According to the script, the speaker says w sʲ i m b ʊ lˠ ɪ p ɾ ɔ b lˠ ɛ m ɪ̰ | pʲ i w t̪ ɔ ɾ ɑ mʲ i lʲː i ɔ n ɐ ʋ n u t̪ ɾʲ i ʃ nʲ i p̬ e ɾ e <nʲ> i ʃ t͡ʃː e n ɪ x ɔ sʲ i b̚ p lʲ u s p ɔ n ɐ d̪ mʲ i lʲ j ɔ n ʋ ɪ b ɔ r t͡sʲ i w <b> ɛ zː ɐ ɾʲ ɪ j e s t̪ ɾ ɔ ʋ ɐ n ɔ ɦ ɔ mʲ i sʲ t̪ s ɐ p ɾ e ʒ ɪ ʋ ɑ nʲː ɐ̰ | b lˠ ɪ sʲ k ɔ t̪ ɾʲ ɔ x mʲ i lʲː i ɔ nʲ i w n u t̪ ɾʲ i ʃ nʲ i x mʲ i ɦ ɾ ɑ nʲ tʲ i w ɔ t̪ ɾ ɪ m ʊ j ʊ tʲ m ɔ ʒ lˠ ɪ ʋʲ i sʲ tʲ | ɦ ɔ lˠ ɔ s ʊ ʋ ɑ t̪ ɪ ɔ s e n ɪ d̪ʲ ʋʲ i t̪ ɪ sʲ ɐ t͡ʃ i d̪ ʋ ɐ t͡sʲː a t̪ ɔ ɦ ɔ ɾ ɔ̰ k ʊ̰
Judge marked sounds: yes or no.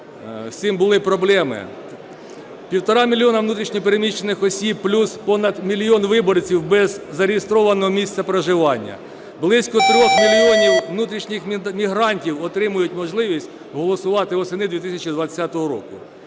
no, yes

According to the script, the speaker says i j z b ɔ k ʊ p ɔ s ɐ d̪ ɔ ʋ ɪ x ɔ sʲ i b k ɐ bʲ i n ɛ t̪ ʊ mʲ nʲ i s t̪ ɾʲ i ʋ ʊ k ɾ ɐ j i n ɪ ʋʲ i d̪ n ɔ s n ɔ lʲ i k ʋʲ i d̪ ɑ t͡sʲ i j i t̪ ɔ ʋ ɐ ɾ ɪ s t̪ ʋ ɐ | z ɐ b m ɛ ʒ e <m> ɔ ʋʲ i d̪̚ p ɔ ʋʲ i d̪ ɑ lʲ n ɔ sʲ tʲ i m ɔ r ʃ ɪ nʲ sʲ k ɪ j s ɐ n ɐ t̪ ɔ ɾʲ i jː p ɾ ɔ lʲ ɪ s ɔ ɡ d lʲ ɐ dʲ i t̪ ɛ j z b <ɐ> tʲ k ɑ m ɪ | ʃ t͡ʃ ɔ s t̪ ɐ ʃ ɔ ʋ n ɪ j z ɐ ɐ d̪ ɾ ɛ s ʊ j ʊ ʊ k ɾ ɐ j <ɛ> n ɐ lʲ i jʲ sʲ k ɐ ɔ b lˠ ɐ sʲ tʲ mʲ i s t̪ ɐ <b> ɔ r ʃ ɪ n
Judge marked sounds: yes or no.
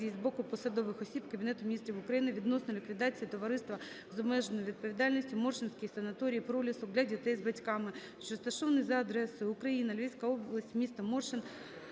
no, yes, no, no

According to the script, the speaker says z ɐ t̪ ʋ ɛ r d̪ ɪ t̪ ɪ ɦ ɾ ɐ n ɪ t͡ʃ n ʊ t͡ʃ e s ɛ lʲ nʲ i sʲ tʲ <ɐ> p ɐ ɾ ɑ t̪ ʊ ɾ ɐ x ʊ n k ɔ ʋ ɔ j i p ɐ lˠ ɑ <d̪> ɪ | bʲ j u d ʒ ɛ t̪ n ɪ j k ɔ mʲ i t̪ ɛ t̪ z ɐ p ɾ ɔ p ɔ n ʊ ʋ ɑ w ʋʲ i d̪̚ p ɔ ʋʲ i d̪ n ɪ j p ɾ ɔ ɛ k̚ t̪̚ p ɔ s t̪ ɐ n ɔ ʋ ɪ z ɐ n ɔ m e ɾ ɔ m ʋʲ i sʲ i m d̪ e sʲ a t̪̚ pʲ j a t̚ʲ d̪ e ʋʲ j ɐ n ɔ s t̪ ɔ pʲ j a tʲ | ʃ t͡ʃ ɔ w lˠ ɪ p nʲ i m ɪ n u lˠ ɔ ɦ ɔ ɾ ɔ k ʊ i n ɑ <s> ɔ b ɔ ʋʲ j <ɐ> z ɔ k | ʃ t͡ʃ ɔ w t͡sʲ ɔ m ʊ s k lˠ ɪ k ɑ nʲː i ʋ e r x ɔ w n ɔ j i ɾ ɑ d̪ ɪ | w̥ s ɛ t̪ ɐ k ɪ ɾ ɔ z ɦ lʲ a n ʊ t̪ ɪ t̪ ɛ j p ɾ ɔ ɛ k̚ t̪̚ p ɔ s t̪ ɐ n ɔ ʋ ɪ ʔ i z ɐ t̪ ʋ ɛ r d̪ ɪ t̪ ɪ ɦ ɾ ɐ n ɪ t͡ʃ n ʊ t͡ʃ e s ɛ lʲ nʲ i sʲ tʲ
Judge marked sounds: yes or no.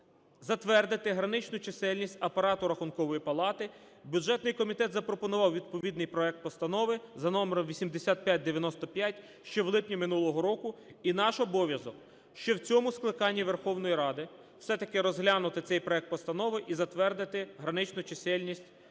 yes, no, no, yes

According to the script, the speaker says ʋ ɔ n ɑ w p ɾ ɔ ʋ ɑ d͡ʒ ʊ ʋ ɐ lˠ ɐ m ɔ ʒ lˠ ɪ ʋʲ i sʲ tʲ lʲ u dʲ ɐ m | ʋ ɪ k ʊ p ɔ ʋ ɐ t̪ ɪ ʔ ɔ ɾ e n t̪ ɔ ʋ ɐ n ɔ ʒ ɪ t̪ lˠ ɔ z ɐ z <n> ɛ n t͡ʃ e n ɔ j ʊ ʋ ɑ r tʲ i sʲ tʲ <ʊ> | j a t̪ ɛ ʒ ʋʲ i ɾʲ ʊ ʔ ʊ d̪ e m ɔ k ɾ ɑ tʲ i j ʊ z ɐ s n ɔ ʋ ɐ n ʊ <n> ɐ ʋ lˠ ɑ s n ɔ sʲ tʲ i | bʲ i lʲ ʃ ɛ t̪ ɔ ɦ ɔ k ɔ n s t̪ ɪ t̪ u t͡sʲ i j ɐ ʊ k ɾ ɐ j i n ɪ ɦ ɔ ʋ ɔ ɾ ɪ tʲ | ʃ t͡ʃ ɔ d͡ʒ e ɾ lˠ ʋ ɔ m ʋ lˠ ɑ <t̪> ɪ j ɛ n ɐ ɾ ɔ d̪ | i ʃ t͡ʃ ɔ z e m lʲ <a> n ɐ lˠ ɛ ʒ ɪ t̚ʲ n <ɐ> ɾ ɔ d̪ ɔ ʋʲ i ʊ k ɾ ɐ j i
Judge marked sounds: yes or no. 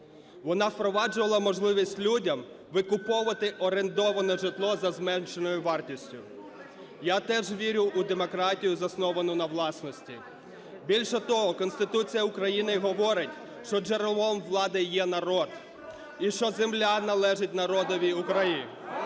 no, yes, yes, no, yes, yes

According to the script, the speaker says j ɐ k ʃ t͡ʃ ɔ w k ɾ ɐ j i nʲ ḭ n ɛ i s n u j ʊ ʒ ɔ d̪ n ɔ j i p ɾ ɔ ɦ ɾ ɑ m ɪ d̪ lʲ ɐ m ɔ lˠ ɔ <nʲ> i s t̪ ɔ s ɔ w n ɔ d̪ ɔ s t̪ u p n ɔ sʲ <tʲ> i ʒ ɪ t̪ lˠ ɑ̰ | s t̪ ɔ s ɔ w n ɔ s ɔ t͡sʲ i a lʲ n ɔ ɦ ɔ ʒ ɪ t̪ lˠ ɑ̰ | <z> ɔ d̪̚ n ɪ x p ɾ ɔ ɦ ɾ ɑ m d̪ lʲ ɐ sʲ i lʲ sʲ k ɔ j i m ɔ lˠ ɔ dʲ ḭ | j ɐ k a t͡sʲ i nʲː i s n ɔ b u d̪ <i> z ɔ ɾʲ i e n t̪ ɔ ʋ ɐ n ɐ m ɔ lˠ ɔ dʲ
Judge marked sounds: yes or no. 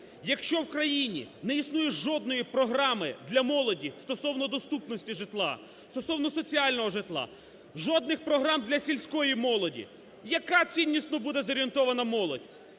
no, yes, no, no

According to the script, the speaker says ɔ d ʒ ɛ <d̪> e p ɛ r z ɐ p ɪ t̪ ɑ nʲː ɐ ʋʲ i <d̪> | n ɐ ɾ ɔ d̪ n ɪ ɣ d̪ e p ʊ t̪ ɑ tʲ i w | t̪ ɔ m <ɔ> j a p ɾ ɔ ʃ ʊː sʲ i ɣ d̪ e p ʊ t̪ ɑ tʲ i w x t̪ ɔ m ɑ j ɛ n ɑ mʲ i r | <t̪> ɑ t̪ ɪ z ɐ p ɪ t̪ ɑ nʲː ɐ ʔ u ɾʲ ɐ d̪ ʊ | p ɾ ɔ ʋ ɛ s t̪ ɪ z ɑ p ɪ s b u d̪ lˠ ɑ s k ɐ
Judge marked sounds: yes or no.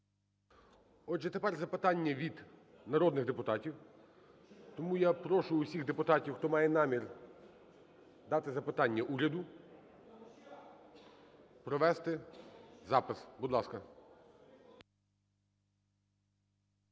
no, yes, no, no

